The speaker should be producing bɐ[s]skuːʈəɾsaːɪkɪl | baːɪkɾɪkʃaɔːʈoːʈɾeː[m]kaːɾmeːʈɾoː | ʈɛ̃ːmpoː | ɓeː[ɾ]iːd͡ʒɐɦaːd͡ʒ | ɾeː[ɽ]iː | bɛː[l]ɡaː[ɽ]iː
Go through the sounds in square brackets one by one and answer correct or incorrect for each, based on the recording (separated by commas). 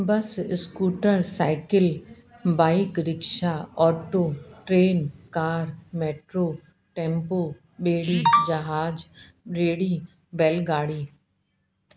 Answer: correct, incorrect, incorrect, correct, correct, correct